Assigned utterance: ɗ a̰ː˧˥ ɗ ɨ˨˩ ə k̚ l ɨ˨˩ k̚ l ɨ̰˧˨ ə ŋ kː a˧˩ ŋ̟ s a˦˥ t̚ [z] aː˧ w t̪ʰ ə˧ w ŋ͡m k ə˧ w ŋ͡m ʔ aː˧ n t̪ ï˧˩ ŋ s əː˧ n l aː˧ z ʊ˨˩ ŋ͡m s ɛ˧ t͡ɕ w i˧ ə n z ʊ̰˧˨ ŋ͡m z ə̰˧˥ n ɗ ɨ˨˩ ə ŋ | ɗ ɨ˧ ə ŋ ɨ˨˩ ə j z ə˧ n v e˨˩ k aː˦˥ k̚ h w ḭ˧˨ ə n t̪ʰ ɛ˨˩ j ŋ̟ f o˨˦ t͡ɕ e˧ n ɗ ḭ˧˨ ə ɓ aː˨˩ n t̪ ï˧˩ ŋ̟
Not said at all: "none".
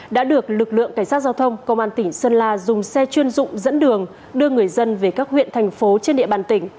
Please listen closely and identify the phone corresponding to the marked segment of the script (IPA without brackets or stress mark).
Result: z